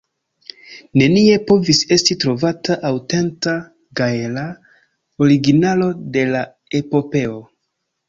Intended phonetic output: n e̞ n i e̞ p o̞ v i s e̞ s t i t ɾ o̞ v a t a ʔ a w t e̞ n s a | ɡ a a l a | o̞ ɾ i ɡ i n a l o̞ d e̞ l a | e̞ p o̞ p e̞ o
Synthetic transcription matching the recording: n e̞ n i e̞ p o̞ v i s e̞ s t i t ɾ o̞ v a t a ʔ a w t e̞ n t a | ɡ a e l a | o̞ ɾ i ɡ i n a l o̞ d e̞ l a | e̞ p o̞ p e̞ o